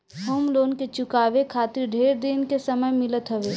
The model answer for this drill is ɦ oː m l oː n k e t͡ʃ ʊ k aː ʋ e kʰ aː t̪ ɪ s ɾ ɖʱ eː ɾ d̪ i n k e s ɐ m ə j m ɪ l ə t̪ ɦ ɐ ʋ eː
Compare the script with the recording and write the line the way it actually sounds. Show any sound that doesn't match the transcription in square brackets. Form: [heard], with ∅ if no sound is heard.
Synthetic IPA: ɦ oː m l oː n k e t͡ʃ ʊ k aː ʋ e kʰ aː t̪ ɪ [∅] ɾ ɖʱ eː ɾ d̪ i n k e s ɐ m ə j m ɪ l ə t̪ ɦ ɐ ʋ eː